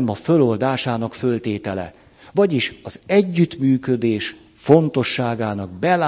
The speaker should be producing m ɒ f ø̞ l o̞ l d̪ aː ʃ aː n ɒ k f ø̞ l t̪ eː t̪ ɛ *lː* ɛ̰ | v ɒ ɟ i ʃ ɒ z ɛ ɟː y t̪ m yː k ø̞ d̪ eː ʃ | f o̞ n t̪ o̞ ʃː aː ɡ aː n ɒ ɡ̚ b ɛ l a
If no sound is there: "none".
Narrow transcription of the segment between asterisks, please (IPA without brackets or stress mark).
l